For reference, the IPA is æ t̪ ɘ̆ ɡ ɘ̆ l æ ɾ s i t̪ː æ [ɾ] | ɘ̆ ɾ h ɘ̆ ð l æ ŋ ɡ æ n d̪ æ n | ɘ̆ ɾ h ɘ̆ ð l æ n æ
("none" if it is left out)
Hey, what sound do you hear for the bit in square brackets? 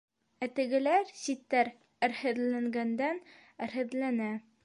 ɾ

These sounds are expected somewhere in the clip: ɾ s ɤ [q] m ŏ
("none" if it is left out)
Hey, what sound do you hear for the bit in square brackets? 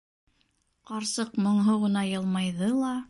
q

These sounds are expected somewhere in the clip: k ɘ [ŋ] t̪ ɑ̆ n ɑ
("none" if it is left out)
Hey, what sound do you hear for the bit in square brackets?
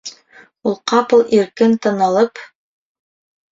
n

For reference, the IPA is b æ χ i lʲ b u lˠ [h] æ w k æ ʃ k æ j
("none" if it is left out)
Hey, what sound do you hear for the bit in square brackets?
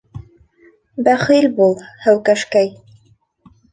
h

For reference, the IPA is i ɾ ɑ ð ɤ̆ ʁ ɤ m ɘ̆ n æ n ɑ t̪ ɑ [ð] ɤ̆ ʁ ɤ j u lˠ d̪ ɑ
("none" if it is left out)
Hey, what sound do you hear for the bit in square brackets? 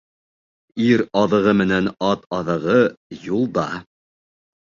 ð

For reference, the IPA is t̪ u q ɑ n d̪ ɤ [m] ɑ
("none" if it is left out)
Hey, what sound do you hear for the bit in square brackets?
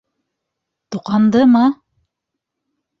m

